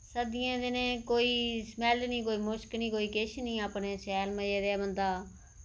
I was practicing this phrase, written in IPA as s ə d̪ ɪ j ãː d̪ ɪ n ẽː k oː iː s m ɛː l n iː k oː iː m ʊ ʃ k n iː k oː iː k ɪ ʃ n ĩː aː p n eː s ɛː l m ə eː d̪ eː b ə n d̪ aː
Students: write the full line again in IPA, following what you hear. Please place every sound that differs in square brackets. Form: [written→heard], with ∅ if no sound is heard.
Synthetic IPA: s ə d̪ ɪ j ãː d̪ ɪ n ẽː k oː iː s m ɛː l n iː k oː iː m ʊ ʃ k n iː k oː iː k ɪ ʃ n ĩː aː p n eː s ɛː l m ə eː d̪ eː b ə n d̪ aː